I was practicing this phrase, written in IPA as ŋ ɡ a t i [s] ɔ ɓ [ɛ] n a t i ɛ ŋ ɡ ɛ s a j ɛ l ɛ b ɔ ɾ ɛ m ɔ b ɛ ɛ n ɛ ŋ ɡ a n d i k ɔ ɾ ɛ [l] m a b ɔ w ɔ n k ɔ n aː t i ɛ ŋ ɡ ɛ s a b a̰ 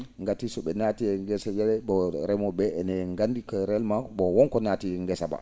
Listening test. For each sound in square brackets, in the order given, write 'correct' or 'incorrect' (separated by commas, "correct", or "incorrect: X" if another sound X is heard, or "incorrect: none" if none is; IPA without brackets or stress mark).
correct, correct, correct